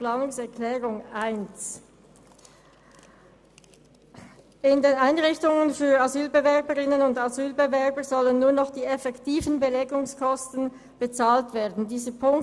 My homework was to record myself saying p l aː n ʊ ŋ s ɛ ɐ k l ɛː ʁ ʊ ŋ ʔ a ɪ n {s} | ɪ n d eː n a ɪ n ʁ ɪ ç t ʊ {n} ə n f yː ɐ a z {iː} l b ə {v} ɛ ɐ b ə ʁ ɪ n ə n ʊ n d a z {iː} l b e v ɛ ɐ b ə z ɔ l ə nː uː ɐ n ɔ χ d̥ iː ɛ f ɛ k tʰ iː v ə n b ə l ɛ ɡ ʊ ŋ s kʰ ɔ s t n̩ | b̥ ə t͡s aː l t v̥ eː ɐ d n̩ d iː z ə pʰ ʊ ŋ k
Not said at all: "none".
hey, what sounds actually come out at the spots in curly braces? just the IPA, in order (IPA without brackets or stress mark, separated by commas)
s, ŋ, yː, v, yː